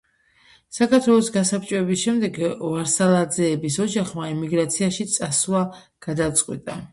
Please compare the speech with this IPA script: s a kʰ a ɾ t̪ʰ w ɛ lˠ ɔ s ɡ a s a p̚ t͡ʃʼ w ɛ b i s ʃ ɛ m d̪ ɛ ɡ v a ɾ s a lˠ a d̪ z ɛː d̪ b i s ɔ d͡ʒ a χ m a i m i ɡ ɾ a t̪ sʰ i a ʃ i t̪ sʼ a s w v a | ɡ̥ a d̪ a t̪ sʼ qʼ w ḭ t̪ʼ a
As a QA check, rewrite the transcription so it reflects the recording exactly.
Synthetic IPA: s a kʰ a ɾ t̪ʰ w ɛ lˠ ɔ s ɡ a s a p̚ t͡ʃʼ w ɛ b i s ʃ ɛ m d̪ ɛ ɡ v a ɾ s a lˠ a d̪ z ɛː b i s ɔ d͡ʒ a χ m a i m i ɡ ɾ a t̪ sʰ i a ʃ i t̪ sʼ a s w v a | ɡ̥ a d̪ a t̪ sʼ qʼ w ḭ t̪ʼ a